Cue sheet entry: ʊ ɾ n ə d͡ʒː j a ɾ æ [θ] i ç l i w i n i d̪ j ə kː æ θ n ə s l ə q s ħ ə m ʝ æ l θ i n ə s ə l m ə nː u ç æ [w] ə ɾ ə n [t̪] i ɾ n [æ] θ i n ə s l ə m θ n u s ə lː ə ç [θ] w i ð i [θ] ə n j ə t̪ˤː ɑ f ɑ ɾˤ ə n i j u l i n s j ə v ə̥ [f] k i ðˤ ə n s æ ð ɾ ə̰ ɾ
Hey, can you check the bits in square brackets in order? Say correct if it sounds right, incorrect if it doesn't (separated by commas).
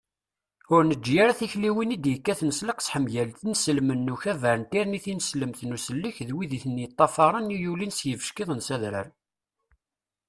correct, incorrect, correct, incorrect, incorrect, correct, incorrect